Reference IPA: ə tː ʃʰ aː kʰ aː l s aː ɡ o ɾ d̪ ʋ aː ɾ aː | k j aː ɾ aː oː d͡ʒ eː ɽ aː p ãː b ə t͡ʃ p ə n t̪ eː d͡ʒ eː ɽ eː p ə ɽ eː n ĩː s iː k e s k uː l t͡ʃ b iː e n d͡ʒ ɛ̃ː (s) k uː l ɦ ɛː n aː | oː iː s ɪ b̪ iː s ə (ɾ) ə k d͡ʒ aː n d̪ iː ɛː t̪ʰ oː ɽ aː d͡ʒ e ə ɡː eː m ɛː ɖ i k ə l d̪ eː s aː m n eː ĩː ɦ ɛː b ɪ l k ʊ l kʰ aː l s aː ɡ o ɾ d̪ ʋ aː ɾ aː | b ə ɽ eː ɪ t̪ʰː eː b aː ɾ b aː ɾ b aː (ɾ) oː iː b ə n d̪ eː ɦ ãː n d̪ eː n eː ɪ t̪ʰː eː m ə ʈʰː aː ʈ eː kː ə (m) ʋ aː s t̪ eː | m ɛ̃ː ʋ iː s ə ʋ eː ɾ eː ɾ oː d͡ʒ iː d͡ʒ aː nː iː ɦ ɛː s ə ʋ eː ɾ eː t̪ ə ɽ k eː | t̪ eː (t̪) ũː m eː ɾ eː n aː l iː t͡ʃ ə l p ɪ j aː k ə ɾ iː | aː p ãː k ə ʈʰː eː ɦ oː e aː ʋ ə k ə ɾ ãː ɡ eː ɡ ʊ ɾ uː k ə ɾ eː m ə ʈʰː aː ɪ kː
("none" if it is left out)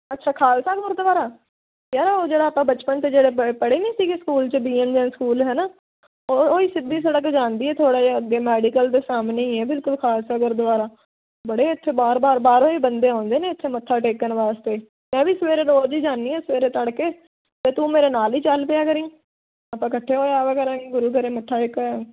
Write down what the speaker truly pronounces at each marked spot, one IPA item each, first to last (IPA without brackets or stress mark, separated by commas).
s, ɽ, ɾ, n, t̪